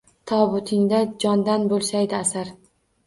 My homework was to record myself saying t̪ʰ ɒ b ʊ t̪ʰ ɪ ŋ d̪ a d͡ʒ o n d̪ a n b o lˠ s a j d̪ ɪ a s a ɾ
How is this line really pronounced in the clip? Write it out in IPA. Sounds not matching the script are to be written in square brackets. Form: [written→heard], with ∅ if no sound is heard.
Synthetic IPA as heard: t̪ʰ ɒ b ʊ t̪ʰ ɪ ŋ d̪ a d͡ʒ [o→ɒ] n d̪ a n b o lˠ s a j d̪ ɪ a s a ɾ